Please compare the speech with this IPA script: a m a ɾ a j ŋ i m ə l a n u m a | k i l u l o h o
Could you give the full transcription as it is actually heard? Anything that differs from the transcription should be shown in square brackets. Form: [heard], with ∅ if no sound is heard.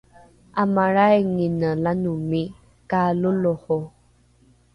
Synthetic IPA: a m a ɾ a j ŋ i [n] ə l a n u m [i] | k [a] l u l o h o